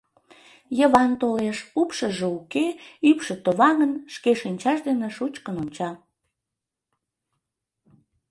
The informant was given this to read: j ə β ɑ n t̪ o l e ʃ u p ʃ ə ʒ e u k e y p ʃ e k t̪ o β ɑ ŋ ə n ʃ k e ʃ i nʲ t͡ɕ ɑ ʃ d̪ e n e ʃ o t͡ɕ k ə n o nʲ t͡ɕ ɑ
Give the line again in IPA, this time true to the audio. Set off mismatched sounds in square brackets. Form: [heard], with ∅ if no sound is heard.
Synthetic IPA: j ə β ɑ n t̪ o l e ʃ u p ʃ ə ʒ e u k e y p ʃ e [∅] t̪ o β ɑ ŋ ə n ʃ k e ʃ i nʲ t͡ɕ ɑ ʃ d̪ e n e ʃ [u] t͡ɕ k ə n o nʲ t͡ɕ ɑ